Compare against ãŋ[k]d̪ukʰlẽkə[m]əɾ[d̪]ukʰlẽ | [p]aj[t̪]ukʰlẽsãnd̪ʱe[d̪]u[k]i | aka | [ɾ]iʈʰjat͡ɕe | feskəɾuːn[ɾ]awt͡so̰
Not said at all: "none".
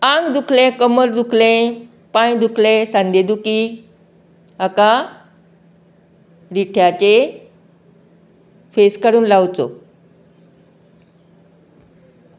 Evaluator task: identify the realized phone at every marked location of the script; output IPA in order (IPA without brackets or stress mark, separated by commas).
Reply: ɡ, m, d̪, p, d̪, d̪, k, ɾ, l